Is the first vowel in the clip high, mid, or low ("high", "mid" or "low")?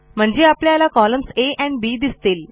mid